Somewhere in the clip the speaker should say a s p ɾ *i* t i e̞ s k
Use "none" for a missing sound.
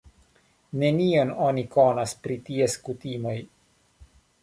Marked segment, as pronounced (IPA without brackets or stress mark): i